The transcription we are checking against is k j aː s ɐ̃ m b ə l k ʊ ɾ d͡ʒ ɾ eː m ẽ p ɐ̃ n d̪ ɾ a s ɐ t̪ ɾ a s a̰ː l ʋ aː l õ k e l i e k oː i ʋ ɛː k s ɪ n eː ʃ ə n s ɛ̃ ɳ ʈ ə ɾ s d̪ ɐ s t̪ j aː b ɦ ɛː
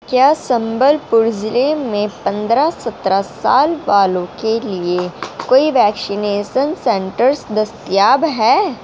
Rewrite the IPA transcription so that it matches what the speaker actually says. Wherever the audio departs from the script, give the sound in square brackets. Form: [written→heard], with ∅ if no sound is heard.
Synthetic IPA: k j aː s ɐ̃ m b ə l [k→p] ʊ ɾ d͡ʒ [ɾ→l] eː m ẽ p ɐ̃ n d̪ ɾ a s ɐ t̪ ɾ a s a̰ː l ʋ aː l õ k e l i e k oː i ʋ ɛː k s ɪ n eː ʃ ə n s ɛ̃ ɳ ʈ ə ɾ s d̪ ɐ s t̪ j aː b ɦ ɛː